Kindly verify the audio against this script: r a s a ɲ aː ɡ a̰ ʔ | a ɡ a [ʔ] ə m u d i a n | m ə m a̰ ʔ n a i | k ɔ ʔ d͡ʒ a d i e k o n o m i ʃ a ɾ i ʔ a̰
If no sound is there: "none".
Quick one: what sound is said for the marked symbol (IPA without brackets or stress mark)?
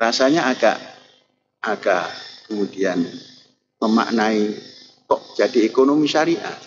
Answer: k